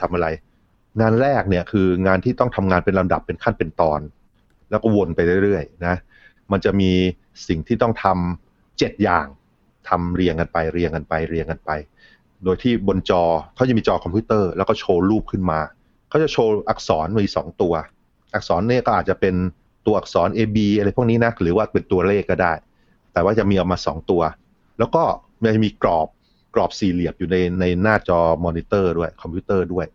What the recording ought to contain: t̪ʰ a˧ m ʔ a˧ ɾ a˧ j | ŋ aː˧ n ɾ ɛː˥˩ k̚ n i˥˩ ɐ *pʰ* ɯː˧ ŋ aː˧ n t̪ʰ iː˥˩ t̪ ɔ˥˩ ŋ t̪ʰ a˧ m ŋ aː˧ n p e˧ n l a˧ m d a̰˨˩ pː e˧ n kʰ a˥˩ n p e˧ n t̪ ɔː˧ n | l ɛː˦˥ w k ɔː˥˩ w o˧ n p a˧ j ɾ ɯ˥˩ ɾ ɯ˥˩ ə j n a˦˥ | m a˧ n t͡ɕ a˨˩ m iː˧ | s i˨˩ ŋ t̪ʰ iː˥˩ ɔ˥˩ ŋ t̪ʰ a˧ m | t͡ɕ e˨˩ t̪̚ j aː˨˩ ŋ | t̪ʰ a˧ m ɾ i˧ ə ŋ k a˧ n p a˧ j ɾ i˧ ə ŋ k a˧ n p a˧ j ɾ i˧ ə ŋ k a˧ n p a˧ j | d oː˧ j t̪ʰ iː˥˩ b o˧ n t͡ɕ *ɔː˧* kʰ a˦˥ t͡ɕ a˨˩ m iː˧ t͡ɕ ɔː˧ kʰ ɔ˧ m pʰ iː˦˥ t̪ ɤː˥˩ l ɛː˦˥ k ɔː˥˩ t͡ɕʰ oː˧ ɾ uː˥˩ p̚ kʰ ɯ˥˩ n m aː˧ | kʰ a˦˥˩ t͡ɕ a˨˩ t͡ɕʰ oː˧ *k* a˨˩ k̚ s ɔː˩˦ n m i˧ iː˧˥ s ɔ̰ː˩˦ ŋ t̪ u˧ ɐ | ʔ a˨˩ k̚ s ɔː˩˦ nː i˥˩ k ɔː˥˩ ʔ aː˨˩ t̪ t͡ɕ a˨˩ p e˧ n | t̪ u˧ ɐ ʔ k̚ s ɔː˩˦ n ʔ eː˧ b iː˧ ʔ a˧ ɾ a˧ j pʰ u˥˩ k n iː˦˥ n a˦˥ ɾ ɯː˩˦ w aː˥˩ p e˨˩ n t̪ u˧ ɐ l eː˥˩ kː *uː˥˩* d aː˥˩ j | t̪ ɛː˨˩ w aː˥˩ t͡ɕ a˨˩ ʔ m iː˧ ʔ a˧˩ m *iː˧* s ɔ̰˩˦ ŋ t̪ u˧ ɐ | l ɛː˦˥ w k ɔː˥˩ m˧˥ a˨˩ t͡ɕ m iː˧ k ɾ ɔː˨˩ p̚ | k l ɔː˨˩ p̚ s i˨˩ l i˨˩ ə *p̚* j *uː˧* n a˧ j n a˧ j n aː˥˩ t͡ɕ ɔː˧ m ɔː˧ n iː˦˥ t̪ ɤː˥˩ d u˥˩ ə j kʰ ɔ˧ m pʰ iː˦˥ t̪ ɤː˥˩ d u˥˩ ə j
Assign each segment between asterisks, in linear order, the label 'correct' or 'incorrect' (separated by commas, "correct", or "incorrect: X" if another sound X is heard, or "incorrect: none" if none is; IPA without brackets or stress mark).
incorrect: kʰ, correct, incorrect: ʔ, incorrect: ɔː˥˩, incorrect: aː˧, correct, incorrect: uː˨˩